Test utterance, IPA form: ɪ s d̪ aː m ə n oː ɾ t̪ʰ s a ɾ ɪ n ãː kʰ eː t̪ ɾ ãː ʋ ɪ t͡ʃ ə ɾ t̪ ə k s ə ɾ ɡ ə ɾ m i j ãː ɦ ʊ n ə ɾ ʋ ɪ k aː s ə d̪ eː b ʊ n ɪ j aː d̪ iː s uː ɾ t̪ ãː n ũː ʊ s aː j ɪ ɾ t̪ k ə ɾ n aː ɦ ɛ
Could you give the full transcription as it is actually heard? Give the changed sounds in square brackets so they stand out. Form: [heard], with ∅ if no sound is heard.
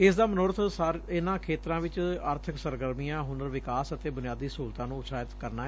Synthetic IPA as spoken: ɪ s d̪ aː m ə n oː ɾ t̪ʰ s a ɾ ɪ n ãː kʰ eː t̪ ɾ ãː ʋ ɪ t͡ʃ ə ɾ [t̪ʰ] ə k s ə ɾ ɡ ə ɾ m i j ãː ɦ ʊ n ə ɾ ʋ ɪ k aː s ə [t̪] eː b ʊ n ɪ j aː d̪ iː s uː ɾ t̪ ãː n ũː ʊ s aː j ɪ [∅] t̪ k ə ɾ n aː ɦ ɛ

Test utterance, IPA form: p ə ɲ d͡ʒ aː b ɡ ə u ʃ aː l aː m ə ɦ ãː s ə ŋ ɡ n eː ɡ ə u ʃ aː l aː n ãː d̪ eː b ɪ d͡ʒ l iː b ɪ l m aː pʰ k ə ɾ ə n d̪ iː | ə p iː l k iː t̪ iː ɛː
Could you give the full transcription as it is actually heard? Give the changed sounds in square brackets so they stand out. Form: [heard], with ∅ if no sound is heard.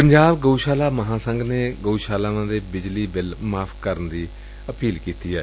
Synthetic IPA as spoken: p ə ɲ d͡ʒ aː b ɡ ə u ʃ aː l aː m ə ɦ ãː s ə ŋ ɡ n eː ɡ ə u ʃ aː l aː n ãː d̪ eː b ɪ d͡ʒ l iː b ɪ l m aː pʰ k ə ɾ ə n d̪ iː | ə p iː l k iː t̪ iː ɛː

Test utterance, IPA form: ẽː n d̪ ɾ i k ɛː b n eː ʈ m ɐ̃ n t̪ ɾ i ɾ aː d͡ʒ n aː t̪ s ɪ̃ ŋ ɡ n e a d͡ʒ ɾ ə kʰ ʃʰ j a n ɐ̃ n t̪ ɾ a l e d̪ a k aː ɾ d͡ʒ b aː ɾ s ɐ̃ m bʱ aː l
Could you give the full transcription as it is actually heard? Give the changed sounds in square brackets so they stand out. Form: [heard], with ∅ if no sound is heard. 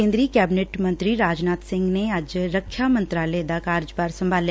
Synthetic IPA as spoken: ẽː n d̪ ɾ i k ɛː b n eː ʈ m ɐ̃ n t̪ ɾ i ɾ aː d͡ʒ n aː t̪ s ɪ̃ ŋ ɡ n e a d͡ʒ ɾ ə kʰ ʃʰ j a [m] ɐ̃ n t̪ ɾ a l e d̪ a k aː ɾ d͡ʒ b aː ɾ s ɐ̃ m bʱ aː l

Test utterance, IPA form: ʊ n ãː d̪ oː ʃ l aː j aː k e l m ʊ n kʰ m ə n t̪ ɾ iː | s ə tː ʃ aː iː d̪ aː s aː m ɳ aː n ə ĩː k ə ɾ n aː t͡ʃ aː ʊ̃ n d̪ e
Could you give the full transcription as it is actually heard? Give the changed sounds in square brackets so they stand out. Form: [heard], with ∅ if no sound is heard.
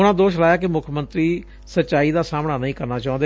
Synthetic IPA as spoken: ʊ n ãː d̪ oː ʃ l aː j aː k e [∅] m ʊ [∅] kʰ m ə n t̪ ɾ iː | s ə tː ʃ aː iː d̪ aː s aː m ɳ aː n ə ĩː k ə ɾ n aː t͡ʃ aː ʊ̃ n d̪ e

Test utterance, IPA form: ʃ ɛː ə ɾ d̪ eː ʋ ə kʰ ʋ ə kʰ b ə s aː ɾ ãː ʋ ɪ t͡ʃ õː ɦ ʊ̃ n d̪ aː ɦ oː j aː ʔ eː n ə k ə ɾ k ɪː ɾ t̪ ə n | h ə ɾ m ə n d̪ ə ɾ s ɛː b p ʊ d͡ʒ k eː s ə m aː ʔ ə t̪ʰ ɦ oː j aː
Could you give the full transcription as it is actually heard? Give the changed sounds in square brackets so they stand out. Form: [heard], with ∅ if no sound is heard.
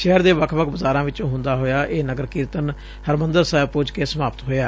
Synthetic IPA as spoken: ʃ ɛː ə ɾ d̪ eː ʋ ə kʰ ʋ ə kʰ b ə [z] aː ɾ ãː ʋ ɪ t͡ʃ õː ɦ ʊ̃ n d̪ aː ɦ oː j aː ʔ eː n ə [ɡ] ə ɾ k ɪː ɾ t̪ ə n | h ə ɾ m ə n d̪ ə ɾ s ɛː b p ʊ d͡ʒ k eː s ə m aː [p] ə [t̪] ɦ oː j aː

